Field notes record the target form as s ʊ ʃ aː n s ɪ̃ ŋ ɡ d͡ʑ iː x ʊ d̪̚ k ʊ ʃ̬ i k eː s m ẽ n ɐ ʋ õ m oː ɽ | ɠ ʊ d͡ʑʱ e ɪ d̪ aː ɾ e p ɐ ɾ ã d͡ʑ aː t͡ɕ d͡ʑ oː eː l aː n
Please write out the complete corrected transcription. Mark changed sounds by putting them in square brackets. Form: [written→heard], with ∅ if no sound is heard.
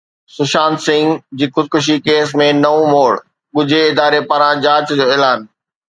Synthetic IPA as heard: s ʊ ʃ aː n s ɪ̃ ŋ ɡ d͡ʑ iː x ʊ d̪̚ k ʊ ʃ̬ i k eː s m ẽ n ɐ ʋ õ m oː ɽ | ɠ ʊ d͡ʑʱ e ɪ d̪ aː ɾ e p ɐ ɾ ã d͡ʑ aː t͡ɕ d͡ʑ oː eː l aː n